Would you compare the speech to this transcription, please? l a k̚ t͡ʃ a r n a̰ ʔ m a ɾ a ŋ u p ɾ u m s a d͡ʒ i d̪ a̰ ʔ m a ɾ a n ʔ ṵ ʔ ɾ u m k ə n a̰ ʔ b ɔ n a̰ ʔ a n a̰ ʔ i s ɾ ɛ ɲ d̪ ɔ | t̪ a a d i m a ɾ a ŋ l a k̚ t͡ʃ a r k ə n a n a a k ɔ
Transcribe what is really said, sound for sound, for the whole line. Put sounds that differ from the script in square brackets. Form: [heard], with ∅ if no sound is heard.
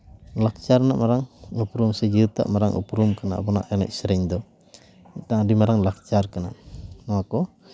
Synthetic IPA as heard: l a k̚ t͡ʃ a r n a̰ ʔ m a ɾ a ŋ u p ɾ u m s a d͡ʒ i [t̪] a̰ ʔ m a ɾ a [ŋ] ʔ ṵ [p] ɾ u m k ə n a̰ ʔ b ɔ n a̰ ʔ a n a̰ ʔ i s ɾ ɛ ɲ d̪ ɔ | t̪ a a d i m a ɾ a ŋ l a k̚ t͡ʃ a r k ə n a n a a k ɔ